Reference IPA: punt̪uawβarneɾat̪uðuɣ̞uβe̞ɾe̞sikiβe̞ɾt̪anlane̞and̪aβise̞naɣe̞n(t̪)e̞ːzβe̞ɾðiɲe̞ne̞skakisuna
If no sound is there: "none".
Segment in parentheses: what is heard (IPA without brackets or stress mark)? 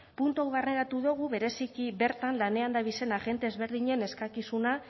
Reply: t̪